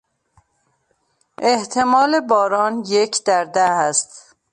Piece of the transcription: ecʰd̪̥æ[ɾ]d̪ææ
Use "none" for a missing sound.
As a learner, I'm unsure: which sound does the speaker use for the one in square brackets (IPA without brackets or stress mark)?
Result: ɾ